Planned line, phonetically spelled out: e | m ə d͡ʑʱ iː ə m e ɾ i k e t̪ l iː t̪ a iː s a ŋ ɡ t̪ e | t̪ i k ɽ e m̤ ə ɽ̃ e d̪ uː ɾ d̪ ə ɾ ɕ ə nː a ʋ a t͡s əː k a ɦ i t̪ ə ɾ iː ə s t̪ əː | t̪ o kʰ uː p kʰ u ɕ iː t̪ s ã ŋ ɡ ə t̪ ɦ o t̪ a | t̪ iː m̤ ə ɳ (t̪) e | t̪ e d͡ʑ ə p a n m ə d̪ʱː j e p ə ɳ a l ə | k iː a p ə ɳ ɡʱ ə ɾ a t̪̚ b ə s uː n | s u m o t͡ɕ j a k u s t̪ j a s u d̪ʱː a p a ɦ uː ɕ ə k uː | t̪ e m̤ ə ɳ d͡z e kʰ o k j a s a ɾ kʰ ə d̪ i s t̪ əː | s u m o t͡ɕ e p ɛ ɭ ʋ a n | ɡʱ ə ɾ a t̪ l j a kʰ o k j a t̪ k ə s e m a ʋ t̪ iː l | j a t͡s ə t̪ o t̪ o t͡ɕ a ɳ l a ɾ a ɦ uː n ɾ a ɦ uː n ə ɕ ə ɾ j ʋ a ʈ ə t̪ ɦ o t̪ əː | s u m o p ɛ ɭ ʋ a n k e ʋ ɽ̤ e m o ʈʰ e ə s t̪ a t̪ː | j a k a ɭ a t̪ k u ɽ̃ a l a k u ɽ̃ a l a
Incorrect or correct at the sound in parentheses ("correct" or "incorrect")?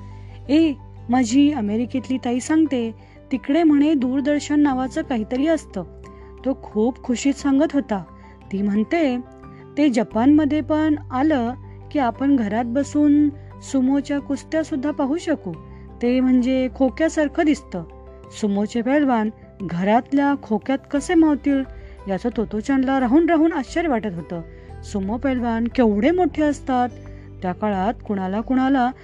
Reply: correct